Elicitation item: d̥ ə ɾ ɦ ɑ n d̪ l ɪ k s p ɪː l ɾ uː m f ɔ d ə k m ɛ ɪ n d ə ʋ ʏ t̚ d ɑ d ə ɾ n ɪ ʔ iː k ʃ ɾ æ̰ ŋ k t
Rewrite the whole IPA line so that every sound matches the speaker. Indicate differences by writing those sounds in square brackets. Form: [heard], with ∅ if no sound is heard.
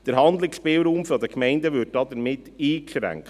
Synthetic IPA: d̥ ə ɾ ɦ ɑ n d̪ l ɪ k s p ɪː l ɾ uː m f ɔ d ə k m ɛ ɪ n d ə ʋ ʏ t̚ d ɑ d ə ɾ [m] ɪ [t] iː k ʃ ɾ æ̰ ŋ k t